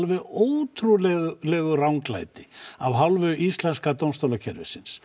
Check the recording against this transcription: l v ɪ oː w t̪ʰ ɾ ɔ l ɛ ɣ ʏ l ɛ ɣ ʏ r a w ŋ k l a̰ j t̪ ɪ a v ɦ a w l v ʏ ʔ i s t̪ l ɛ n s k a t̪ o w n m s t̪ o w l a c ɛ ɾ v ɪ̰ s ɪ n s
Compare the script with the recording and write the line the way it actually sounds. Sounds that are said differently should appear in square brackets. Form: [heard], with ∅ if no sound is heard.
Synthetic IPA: l v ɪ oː w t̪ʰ ɾ [u] l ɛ ɣ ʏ l ɛ ɣ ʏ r a w ŋ k l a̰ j t̪ ɪ a v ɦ a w l v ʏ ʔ i s t̪ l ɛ n s k a t̪ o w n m s t̪ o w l a [cʰ] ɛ ɾ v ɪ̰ s ɪ n s